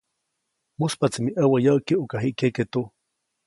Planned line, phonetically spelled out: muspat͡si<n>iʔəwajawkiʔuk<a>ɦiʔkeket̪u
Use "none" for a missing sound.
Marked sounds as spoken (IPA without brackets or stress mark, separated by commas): m, a